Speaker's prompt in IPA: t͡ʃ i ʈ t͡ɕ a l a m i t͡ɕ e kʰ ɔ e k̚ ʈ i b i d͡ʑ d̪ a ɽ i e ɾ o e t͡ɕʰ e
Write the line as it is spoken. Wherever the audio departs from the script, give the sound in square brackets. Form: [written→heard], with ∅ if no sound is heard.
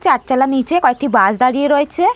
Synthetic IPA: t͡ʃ [i→a] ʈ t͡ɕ a l a [m→n] i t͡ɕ e [kʰ→k] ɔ e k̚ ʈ i b [i→a] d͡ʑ d̪ a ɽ i e ɾ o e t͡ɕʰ e